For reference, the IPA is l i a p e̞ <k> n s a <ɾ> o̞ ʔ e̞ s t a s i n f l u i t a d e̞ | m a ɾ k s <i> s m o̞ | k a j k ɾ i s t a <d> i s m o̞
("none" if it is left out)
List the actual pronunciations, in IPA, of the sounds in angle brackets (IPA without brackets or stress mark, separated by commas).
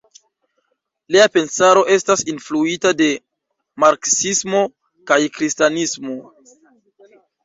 none, ɾ, i, n